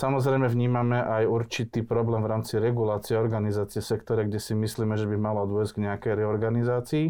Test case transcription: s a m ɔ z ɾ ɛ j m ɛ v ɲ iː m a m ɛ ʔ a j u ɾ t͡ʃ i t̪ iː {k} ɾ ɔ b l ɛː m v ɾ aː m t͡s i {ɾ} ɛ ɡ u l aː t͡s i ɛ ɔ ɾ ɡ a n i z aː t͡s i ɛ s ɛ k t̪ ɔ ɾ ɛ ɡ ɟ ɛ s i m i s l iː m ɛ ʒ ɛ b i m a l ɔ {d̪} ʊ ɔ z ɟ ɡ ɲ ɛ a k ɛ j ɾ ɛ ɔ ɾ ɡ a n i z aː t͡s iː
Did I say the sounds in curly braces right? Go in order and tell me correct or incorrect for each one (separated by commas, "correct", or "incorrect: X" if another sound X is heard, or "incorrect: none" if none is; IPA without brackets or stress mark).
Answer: incorrect: p, correct, correct